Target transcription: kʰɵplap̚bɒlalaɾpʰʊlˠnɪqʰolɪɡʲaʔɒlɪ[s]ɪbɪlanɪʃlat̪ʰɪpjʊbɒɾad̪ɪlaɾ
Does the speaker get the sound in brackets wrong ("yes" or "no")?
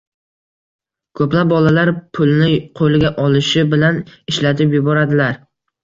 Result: yes